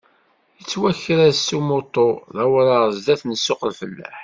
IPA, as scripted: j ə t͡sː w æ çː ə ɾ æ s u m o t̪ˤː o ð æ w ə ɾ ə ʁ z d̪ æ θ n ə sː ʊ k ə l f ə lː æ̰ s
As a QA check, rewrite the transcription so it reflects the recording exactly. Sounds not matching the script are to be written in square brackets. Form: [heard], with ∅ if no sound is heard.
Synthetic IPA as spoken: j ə t͡sː w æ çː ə ɾ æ s u m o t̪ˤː o ð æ w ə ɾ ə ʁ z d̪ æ θ n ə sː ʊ [q] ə l f ə lː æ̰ [ħ]